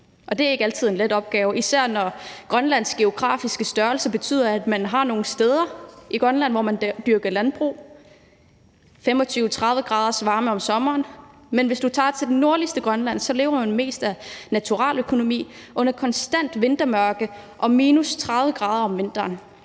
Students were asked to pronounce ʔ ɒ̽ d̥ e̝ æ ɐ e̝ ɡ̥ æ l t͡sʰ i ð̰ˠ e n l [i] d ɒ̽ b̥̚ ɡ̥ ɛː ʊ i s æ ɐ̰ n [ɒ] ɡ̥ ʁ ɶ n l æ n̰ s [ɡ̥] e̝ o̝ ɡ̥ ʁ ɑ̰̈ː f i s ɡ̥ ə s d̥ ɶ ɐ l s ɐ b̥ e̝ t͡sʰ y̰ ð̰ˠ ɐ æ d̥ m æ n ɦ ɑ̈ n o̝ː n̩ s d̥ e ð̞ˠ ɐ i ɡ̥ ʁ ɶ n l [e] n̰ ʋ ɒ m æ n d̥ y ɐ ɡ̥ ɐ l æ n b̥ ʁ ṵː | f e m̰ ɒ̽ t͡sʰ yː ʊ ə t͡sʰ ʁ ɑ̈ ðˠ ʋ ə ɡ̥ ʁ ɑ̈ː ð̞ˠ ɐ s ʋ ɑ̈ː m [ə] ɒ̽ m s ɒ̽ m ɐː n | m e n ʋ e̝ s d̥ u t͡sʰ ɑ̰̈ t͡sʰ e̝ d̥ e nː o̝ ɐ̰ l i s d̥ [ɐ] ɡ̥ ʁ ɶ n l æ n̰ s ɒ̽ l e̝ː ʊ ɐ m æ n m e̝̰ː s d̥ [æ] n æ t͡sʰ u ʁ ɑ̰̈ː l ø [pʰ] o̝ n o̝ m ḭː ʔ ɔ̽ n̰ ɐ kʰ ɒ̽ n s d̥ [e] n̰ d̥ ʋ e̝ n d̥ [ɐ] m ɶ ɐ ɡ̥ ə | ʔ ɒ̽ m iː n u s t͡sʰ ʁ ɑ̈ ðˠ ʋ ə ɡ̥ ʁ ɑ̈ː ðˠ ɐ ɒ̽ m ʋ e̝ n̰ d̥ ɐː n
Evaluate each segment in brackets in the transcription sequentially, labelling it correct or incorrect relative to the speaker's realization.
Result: incorrect, correct, correct, incorrect, correct, incorrect, correct, incorrect, incorrect, correct

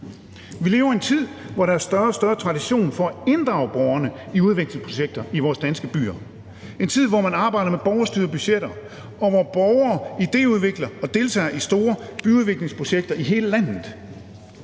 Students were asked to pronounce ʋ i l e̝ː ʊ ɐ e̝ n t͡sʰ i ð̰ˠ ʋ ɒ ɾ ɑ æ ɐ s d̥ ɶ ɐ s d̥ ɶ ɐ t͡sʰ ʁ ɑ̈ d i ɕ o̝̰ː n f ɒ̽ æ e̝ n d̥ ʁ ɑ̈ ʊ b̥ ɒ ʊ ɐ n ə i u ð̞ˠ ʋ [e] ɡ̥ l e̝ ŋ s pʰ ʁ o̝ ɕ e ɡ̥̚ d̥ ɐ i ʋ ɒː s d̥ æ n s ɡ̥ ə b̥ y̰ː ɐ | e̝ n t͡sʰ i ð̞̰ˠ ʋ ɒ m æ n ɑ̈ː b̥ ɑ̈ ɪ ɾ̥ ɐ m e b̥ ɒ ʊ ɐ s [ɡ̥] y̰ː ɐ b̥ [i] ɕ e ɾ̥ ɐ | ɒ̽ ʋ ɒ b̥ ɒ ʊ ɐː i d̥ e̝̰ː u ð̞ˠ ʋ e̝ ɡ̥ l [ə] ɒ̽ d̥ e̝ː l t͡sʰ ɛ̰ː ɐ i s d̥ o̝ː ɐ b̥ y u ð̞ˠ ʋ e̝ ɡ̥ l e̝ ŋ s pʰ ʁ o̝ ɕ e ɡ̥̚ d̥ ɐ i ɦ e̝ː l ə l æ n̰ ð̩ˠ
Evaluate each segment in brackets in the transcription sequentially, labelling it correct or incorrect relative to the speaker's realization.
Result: correct, incorrect, incorrect, incorrect

